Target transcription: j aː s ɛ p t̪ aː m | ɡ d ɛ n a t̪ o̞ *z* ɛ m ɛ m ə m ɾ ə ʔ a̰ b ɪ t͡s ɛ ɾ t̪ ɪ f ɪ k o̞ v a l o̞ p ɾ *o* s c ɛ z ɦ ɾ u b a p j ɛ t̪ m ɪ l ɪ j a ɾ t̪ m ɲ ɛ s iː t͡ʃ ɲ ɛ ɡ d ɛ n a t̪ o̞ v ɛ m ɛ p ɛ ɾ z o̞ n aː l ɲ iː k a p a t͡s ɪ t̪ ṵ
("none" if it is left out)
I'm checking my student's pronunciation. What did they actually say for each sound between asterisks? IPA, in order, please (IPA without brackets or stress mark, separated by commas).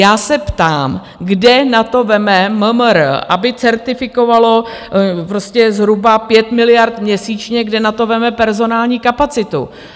v, o